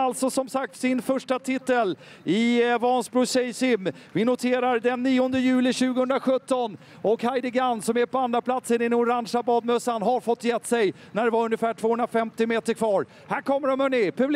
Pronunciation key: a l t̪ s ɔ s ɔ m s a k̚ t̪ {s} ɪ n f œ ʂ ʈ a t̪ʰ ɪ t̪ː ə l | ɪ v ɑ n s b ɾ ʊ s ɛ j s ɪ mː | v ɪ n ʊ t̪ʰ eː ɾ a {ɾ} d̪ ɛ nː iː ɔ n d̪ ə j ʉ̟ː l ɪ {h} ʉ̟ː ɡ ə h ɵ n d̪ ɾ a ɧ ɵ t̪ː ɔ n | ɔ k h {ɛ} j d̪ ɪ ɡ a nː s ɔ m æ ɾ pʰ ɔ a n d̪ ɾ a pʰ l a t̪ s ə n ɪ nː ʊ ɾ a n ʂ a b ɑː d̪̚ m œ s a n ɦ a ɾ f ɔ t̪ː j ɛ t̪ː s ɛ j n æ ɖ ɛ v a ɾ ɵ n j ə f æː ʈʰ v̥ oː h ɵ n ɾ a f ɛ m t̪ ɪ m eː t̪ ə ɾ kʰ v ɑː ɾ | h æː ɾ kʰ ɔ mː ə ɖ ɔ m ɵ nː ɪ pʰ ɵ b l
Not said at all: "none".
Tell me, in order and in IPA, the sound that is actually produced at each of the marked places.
s, ɾ, ɕ, a

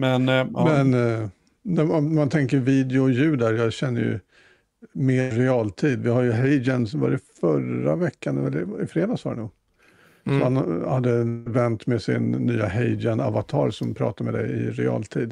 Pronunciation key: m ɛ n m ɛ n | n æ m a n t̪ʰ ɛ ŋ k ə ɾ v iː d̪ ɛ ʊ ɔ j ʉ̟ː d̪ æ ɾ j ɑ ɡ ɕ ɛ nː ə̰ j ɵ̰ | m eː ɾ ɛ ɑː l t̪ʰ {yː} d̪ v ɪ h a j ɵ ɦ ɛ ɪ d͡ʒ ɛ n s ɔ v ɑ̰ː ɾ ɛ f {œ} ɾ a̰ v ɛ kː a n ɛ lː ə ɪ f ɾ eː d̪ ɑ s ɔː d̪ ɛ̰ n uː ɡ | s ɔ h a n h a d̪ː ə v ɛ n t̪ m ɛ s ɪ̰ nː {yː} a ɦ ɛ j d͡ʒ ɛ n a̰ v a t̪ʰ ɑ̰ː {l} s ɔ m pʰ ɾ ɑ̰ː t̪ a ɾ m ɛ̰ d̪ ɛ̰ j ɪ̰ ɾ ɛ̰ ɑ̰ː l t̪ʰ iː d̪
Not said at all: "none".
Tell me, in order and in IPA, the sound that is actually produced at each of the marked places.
iː, œ, yː, ɾ

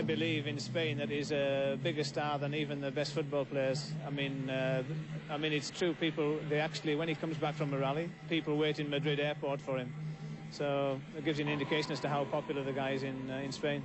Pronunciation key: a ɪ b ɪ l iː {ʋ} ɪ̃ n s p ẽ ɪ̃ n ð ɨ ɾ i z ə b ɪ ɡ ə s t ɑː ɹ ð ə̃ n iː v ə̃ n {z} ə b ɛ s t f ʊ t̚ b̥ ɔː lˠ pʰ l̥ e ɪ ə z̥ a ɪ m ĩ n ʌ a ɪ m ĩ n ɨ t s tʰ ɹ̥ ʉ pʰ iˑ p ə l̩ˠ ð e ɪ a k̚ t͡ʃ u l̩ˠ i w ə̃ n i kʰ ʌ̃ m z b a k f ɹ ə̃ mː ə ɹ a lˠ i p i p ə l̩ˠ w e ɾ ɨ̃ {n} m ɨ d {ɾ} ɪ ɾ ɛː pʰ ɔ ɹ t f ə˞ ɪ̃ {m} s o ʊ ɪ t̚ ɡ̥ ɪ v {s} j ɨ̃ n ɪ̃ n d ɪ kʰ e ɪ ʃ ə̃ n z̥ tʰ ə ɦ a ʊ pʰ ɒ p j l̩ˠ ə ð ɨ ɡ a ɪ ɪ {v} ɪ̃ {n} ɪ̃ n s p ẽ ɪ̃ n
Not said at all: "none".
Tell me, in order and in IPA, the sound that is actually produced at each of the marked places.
v, ð, n, ɹ, m, z, z, n

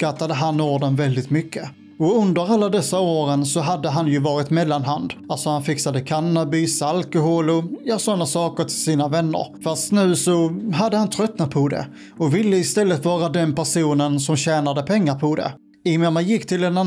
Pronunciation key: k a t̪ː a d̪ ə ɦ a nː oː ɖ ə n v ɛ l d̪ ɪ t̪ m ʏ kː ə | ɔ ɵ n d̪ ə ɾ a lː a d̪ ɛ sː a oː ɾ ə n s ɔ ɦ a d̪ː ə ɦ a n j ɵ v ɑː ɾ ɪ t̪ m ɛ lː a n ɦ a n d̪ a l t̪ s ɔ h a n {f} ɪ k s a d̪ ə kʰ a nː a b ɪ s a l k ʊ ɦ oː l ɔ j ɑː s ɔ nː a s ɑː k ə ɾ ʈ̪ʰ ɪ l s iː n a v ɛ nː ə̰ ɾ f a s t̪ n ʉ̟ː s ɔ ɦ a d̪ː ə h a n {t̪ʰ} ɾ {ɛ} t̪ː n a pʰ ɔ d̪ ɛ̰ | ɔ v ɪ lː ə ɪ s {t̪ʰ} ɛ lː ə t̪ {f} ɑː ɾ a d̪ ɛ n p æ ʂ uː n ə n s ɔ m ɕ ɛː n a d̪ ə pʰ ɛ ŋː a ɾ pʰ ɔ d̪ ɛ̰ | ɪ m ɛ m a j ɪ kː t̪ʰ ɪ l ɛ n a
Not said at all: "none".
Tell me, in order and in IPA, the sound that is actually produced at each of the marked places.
f, t̪ʰ, œ, t̪, v

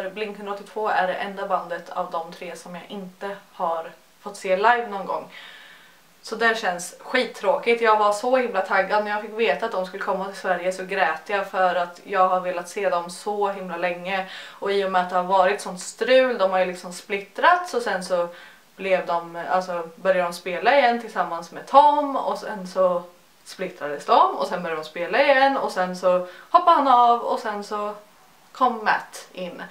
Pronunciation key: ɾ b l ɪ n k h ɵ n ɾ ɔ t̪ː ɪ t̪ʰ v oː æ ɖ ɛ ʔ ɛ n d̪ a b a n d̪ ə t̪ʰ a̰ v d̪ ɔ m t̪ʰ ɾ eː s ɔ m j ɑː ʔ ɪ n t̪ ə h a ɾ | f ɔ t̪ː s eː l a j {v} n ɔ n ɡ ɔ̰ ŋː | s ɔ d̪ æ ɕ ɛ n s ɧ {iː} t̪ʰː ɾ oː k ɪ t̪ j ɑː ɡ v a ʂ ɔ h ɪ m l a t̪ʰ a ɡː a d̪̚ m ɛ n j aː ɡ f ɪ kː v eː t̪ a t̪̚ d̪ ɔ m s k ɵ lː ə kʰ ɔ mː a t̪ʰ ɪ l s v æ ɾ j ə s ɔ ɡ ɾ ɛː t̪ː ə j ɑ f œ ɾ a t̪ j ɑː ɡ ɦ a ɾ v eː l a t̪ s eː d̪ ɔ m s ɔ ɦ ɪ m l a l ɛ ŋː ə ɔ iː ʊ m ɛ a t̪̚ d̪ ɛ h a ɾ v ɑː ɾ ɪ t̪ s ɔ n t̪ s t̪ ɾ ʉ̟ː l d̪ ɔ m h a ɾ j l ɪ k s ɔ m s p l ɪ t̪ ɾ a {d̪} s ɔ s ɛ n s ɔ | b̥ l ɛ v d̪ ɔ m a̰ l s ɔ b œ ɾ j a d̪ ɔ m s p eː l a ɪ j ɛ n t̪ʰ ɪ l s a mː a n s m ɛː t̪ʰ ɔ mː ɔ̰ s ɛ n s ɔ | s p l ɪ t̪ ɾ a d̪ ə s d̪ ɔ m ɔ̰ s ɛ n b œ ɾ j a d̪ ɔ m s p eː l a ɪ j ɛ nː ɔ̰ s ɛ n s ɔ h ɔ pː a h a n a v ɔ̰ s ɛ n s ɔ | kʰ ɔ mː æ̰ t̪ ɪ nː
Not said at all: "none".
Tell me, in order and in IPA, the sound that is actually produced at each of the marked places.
v, iː, t̪

